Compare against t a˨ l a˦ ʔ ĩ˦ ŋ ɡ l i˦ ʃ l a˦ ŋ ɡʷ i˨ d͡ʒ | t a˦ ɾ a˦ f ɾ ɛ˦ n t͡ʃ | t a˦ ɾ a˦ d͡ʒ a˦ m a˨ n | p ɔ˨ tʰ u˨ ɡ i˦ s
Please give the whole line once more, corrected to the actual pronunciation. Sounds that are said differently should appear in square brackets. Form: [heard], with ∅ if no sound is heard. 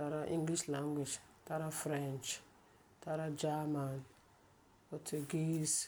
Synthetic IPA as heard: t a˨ [ɾ] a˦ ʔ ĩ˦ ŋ ɡ l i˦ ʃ l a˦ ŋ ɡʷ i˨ d͡ʒ | t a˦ ɾ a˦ f ɾ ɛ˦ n t͡ʃ | t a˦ ɾ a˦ d͡ʒ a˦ m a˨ n | p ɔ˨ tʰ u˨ ɡ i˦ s